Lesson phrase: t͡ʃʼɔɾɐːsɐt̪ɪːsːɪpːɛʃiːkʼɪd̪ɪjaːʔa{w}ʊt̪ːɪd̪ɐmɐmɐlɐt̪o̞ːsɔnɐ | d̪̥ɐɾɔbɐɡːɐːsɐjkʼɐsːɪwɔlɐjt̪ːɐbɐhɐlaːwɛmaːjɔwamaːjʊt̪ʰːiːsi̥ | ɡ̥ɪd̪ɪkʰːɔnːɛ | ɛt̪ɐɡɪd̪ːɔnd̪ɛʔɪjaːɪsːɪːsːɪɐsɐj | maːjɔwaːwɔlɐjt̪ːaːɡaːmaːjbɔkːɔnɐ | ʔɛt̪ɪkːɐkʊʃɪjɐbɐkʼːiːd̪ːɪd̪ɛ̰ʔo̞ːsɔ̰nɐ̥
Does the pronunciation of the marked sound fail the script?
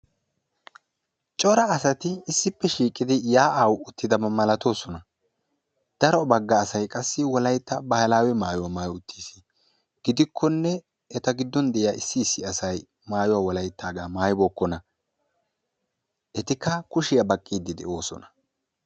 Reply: no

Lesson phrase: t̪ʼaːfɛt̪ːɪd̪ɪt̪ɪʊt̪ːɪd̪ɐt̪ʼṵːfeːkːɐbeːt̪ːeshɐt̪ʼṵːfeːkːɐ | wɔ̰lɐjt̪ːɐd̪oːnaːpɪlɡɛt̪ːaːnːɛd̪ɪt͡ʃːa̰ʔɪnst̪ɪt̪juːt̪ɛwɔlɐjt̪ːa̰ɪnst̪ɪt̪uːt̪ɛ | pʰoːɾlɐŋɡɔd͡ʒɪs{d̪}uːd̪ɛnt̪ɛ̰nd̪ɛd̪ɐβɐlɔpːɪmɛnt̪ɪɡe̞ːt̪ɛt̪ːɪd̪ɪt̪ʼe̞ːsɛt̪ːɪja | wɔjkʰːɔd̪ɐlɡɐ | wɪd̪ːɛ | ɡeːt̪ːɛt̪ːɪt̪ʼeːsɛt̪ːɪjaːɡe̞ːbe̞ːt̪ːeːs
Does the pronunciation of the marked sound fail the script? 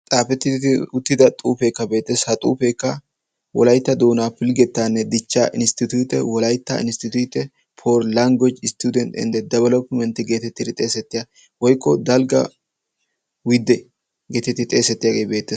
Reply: yes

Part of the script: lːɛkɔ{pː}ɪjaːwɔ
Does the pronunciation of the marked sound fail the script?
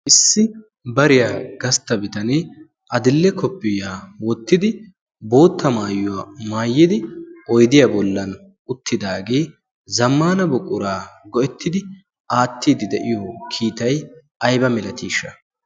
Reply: no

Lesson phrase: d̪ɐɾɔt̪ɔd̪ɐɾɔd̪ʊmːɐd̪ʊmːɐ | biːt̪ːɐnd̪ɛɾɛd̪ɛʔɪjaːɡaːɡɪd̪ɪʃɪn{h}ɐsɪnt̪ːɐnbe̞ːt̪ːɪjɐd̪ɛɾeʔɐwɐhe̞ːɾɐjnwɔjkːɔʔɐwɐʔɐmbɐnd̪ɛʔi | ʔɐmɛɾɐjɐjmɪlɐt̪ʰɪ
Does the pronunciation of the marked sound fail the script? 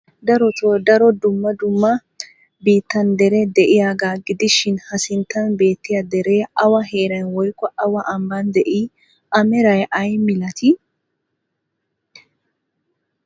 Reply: no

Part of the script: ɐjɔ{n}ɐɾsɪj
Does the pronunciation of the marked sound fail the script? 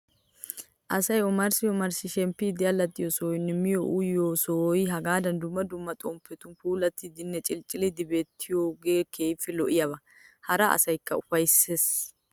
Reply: yes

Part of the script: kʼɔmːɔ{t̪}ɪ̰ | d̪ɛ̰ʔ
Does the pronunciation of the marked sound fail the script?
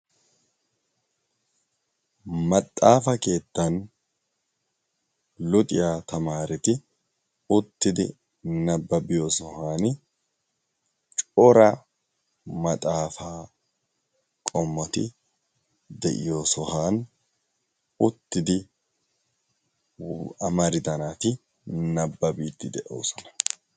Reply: no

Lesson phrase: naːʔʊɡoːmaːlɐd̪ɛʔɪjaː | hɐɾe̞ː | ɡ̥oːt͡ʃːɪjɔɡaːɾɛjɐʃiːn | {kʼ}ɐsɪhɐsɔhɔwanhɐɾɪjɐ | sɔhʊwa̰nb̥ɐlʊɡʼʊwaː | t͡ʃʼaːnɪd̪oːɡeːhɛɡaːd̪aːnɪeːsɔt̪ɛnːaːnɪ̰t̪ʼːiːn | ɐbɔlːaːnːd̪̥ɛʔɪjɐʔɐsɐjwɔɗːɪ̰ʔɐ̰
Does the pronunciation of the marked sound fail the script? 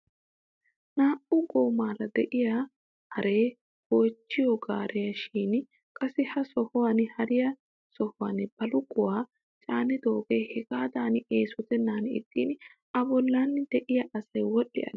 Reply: no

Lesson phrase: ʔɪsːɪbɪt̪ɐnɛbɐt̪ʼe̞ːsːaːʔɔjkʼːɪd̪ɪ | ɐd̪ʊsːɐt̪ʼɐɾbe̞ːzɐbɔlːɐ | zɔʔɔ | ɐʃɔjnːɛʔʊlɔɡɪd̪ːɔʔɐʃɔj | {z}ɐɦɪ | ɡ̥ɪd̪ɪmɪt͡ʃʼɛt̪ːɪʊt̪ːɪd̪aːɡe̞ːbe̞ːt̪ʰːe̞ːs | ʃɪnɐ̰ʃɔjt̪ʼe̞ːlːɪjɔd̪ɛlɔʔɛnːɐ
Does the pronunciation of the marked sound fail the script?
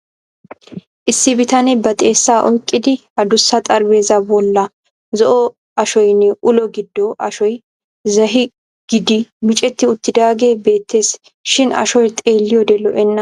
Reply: no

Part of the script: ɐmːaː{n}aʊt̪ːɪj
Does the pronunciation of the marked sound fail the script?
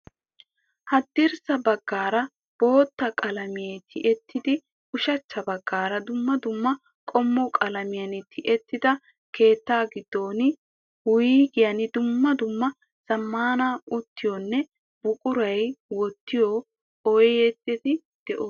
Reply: no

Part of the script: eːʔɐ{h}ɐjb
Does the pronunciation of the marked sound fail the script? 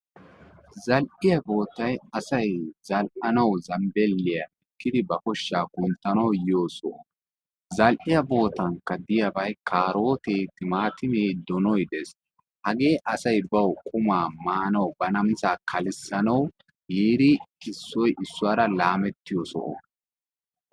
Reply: yes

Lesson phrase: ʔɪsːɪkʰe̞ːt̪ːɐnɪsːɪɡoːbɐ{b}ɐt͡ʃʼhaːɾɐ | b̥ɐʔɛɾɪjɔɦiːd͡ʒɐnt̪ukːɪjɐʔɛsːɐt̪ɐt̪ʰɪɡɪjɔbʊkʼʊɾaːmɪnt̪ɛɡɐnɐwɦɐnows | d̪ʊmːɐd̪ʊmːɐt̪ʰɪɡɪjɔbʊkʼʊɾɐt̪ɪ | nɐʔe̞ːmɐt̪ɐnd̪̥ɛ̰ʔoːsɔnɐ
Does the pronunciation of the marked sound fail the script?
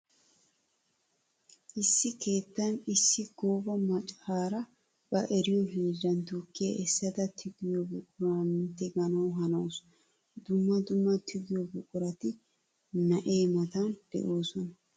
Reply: yes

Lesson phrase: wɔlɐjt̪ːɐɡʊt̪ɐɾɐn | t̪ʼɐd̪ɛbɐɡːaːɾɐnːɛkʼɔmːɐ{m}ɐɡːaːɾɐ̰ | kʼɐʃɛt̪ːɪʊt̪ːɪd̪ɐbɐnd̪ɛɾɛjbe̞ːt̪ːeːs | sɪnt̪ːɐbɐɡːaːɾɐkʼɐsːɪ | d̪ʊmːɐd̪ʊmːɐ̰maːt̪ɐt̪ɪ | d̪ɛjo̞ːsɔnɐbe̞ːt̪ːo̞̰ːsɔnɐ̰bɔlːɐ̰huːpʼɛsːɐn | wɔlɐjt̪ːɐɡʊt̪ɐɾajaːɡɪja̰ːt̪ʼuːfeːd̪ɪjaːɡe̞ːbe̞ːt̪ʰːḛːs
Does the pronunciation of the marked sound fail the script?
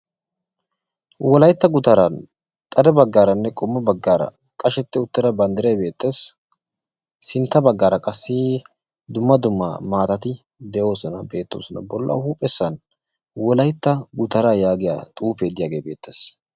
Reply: yes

